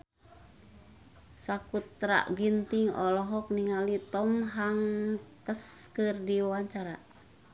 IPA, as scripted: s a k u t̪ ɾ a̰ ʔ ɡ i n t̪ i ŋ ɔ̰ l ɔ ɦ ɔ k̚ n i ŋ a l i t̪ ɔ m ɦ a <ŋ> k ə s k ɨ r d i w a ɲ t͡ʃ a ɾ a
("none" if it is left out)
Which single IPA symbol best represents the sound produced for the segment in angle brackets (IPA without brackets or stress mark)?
ŋ